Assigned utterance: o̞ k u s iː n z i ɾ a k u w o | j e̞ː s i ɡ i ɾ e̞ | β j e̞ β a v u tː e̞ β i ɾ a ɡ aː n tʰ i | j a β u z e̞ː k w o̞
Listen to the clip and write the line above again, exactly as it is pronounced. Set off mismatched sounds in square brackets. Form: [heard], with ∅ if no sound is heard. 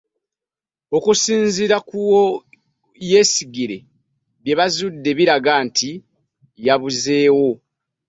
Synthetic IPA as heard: o̞ k u s iː n z i ɾ a k u w o | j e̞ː s i ɡ i ɾ e̞ | β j e̞ β a [z] u [dː] e̞ β i ɾ a ɡ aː n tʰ i | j a β u z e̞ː [∅] w o̞